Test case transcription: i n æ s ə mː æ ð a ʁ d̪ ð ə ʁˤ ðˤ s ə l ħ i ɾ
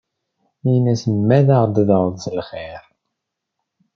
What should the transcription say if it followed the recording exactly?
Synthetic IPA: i n æ s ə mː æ ð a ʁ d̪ ð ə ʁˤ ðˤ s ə l χ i ɾ

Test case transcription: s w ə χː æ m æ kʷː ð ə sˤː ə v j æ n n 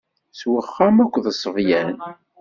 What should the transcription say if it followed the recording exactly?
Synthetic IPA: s w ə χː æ m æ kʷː ð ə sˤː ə v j æ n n

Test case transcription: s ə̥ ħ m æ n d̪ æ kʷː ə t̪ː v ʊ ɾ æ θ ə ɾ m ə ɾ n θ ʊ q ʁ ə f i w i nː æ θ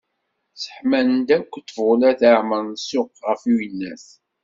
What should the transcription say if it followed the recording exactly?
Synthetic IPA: s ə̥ ħ m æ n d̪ æ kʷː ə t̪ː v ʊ l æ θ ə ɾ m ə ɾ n s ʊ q ʁ ə f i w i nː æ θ

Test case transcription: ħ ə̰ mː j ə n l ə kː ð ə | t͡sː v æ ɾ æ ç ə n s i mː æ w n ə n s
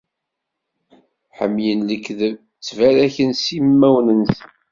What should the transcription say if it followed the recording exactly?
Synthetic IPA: ħ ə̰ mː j ə n l ə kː ð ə | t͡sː v æ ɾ æ ç ə n s i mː æ w n ə n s

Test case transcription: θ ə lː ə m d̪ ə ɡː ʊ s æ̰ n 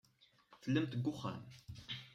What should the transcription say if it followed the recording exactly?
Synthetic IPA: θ ə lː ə m t̪ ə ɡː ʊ χ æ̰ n

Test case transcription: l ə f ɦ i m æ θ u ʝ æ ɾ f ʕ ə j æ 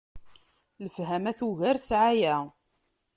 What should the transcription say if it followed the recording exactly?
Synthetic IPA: l ə f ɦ æ m æ θ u ʝ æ ɾ s ʕ a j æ

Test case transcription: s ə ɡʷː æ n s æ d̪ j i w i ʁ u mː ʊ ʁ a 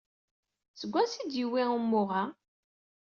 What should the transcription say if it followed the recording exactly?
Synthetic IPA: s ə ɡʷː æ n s i d̪ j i w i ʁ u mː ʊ ʁ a

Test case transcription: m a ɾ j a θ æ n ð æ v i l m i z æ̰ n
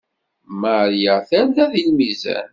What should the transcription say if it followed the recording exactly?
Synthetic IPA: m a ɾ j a θ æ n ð æ ð i l m i z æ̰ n

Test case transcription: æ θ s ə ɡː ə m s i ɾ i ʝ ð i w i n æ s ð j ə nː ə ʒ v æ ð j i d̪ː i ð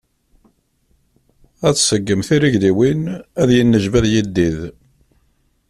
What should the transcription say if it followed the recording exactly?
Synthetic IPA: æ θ s ə ɡː ə m θ i ɾ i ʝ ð i w i n æ ð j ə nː ə ʒ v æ ð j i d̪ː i ð

